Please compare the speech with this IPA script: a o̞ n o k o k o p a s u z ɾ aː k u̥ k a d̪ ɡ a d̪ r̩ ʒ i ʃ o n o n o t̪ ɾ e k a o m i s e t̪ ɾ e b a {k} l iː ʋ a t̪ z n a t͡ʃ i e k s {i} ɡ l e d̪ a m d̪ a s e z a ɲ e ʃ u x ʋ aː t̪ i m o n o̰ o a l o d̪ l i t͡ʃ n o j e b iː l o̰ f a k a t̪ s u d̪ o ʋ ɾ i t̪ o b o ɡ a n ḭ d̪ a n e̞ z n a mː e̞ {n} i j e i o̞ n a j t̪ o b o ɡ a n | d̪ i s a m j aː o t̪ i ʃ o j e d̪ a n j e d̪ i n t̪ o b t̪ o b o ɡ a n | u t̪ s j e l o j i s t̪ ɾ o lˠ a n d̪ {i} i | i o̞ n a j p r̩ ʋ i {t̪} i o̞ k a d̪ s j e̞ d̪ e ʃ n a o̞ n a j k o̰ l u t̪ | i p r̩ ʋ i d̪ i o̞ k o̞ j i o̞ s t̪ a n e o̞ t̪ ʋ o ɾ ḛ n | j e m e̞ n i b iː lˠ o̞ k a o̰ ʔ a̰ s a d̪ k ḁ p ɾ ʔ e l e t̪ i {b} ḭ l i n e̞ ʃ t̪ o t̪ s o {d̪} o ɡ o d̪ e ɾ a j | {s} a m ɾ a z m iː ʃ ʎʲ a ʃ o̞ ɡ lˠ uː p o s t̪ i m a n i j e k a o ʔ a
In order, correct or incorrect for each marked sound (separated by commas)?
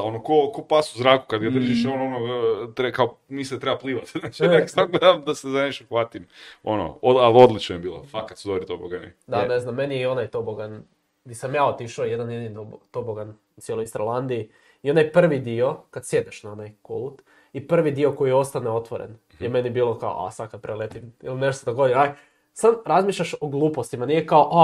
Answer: incorrect, incorrect, correct, correct, incorrect, incorrect, correct, correct